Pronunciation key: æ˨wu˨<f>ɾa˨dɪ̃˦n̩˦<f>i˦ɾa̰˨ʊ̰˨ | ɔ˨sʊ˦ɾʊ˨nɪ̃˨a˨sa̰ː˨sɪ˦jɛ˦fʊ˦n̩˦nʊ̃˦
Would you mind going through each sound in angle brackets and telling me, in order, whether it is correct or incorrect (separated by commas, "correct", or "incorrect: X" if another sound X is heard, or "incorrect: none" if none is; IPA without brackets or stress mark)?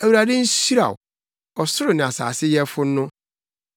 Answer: incorrect: none, incorrect: s